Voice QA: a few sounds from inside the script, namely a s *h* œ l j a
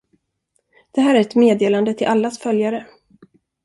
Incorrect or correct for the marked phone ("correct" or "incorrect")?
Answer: incorrect